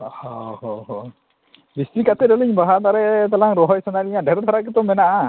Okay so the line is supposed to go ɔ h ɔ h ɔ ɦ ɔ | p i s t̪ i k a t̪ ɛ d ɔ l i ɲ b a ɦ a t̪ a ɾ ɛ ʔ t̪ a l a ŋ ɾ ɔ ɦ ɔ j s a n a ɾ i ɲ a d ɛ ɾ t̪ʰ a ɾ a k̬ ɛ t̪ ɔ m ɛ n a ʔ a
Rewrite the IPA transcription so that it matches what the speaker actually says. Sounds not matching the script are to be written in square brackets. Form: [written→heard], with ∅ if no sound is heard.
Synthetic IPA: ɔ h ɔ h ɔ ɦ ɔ | [p→b] i s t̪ i k a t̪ ɛ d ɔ l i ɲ b a ɦ a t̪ a ɾ ɛ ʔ t̪ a l a ŋ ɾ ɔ ɦ ɔ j s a n a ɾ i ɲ a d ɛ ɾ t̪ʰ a ɾ a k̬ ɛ t̪ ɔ m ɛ n a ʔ a